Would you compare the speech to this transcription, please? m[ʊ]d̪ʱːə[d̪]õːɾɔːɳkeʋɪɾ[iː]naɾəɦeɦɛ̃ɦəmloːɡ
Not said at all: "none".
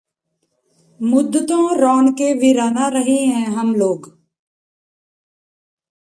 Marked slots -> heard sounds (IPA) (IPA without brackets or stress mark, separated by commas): ʊ, t̪, aː